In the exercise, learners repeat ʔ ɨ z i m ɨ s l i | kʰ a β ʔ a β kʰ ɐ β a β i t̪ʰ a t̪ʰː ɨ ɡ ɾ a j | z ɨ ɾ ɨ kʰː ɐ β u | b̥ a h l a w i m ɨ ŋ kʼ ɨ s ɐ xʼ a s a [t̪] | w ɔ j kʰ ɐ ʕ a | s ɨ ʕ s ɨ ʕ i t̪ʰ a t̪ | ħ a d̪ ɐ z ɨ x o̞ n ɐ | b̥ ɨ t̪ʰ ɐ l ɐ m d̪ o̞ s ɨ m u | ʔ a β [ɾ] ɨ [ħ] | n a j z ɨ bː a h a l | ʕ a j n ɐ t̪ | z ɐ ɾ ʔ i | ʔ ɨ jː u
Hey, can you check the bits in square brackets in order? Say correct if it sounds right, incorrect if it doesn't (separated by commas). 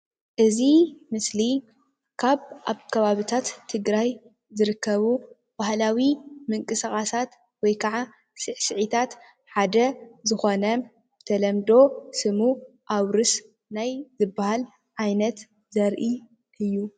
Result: correct, correct, incorrect